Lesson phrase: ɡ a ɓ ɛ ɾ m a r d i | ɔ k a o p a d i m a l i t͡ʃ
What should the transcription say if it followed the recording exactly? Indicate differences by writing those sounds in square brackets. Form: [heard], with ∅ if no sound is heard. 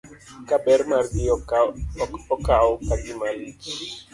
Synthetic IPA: [k] a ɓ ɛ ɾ m a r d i | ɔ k a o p a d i m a l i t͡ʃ